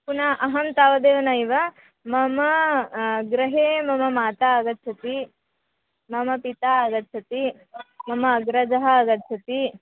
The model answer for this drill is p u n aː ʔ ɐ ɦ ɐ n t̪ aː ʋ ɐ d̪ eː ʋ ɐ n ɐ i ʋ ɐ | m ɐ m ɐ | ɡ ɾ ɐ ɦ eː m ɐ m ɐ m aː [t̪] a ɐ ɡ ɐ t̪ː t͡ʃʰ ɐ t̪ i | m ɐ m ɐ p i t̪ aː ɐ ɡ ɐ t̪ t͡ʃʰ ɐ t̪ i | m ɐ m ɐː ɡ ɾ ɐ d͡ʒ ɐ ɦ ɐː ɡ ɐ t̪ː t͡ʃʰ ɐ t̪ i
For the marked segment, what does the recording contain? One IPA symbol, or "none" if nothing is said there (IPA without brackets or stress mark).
t̪